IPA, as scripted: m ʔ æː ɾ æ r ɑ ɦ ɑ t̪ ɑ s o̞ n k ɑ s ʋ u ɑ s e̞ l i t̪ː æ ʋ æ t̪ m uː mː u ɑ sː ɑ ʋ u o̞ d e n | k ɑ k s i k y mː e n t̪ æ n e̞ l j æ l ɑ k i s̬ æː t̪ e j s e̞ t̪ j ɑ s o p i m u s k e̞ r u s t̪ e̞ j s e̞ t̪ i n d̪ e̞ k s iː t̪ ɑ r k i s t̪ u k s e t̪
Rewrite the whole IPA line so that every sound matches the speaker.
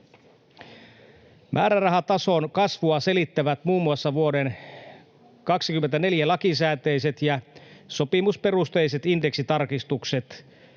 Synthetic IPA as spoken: m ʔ æː ɾ æ r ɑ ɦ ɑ t̪ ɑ s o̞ n k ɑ s ʋ u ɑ s e̞ l i t̪ː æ ʋ æ t̪ m uː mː u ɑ sː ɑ ʋ u o̞ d e n | k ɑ k s i k y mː e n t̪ æ n e̞ l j æ l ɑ k i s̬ æː t̪ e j s e̞ t̪ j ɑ s o p i m u s p e̞ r u s t̪ e̞ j s e̞ t̪ i n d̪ e̞ k s i t̪ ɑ r k i s t̪ u k s e t̪